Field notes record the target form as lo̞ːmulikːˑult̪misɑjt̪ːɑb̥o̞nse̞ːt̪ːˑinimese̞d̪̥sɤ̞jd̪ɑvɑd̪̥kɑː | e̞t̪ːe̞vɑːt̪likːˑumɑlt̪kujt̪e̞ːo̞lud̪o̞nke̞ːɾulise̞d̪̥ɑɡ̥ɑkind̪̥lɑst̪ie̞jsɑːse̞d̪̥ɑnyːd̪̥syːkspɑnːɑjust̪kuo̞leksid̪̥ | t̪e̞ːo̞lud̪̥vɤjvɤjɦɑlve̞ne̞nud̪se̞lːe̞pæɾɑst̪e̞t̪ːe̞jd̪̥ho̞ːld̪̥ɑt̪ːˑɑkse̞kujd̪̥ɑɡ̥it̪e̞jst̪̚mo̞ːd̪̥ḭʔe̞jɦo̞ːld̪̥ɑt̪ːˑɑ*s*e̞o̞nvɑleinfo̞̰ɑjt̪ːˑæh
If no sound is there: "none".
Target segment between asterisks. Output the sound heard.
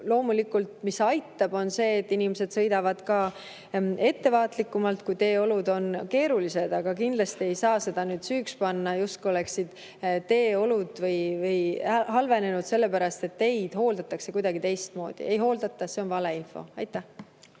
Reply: s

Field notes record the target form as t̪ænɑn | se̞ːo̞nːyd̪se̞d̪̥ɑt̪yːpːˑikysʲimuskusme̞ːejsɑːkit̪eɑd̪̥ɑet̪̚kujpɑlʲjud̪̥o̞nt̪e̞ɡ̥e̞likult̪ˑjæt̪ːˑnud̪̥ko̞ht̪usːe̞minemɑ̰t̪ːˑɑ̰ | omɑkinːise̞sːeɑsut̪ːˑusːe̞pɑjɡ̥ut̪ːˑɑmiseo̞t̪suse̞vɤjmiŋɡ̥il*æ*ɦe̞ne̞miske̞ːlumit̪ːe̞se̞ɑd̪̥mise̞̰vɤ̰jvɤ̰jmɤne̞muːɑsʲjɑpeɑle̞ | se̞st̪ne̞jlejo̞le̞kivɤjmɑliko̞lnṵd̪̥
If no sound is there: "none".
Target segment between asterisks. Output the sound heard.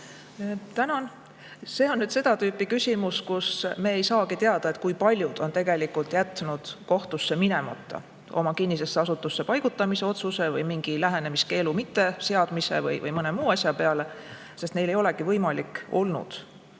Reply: æ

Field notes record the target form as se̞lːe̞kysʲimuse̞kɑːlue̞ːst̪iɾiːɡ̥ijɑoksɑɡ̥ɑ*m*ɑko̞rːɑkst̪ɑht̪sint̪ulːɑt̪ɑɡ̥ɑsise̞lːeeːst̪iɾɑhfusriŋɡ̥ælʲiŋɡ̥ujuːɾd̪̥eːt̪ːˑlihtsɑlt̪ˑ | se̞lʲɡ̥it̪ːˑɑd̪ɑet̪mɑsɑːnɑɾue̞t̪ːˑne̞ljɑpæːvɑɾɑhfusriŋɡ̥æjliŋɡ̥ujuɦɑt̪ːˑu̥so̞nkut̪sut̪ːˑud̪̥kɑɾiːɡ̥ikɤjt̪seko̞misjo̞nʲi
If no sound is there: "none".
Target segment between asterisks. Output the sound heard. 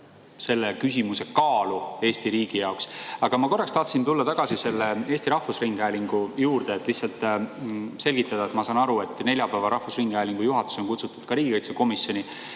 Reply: m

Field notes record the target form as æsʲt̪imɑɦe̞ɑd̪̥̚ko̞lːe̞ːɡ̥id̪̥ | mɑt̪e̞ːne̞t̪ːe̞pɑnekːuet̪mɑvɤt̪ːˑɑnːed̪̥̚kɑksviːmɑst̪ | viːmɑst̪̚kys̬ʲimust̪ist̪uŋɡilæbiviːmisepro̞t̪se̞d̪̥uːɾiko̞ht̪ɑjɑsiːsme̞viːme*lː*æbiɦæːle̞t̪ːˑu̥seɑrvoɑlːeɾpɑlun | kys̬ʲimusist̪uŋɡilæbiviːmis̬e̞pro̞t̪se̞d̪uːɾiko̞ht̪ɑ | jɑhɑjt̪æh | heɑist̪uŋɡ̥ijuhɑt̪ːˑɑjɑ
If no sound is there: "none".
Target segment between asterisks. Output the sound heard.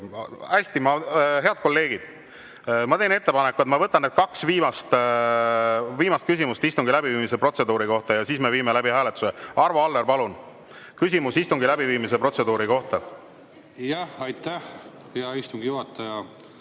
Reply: l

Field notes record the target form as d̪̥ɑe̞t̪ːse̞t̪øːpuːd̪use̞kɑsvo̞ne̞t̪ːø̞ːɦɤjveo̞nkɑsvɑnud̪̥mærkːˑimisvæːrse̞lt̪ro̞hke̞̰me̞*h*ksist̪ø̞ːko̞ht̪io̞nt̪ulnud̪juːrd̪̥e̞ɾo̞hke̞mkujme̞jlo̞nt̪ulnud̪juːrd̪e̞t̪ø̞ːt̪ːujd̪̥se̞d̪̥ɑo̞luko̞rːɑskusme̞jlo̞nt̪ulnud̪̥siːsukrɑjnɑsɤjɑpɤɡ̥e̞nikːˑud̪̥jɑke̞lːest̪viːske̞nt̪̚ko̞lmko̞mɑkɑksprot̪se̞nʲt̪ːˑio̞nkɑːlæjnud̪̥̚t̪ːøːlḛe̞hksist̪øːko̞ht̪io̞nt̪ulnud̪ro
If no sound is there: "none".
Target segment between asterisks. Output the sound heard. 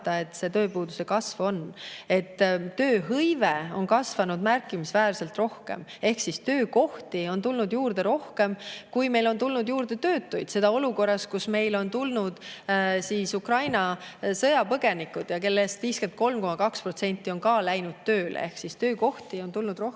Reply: h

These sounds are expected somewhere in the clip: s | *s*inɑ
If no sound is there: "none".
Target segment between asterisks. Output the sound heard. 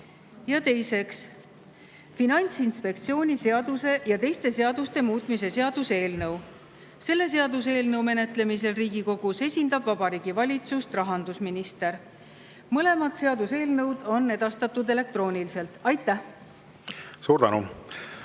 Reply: f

